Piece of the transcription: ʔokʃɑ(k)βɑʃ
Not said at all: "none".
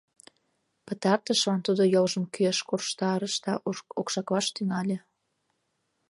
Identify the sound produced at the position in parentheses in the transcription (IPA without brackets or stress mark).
k